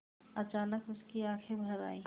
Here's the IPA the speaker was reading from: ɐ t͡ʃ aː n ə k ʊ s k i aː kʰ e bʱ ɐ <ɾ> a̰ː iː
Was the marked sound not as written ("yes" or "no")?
no